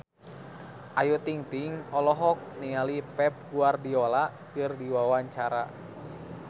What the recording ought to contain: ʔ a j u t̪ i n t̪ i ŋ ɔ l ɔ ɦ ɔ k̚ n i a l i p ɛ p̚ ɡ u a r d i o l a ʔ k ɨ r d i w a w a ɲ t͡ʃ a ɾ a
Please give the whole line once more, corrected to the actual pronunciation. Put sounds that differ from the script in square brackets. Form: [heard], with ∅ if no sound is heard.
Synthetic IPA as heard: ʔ a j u t̪ i [ŋ] t̪ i ŋ ɔ l ɔ ɦ ɔ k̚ n i a l i p ɛ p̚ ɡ u a r d i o l a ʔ k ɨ r d i w a w a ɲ t͡ʃ a ɾ a